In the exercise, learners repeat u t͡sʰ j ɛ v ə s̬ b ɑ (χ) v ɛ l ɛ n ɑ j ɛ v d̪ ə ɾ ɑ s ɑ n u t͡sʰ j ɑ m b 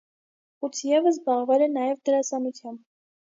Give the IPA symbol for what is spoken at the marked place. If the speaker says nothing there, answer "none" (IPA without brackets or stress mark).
ʁ